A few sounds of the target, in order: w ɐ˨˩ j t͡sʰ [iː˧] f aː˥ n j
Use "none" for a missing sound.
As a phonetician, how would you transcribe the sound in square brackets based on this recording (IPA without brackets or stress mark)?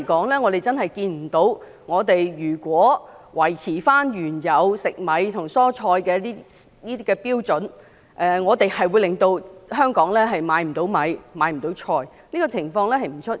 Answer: iː˨˩